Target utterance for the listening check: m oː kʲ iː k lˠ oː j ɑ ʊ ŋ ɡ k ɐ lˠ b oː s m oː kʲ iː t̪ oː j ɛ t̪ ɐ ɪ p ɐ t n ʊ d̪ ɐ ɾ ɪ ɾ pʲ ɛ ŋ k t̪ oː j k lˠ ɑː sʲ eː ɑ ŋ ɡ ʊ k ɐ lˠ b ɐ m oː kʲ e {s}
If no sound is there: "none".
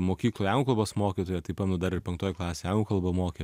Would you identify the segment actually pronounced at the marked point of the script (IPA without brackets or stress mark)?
none